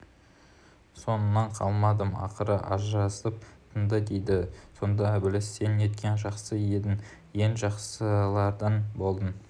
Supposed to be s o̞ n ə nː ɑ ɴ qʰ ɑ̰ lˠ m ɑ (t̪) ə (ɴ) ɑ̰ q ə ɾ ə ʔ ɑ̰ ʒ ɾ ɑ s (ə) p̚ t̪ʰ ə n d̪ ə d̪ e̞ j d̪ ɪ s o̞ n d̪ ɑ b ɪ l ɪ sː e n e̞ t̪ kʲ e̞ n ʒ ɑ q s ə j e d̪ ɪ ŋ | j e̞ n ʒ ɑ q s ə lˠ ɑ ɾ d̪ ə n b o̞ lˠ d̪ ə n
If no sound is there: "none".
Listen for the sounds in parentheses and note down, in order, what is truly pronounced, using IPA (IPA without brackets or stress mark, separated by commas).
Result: d̪, m, ə